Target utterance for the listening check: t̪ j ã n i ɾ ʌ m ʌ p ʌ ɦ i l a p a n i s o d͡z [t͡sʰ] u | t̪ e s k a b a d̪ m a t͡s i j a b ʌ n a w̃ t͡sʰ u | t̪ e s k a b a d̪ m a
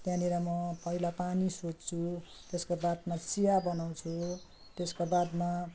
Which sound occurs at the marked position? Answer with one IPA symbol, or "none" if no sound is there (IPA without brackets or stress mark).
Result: t͡sʰ